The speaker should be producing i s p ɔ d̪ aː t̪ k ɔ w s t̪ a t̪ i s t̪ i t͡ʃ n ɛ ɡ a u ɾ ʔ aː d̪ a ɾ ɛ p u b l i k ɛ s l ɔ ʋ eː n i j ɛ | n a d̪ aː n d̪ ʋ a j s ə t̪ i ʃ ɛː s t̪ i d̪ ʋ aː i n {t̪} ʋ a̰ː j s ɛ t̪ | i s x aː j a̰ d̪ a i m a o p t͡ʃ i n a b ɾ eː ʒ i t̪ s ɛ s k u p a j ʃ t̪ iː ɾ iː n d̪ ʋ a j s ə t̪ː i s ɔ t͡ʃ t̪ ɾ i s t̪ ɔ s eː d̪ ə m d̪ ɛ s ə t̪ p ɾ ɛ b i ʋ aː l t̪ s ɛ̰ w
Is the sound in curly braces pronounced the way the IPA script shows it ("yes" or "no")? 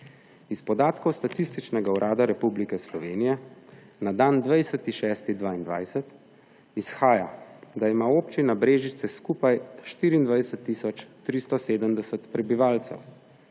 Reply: no